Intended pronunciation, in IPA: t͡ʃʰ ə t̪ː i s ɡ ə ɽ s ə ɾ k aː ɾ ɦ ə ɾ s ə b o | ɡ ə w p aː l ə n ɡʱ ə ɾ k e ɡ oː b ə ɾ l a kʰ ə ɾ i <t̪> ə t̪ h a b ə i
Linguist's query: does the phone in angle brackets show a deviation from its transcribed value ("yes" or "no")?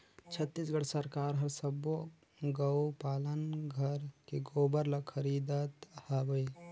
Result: yes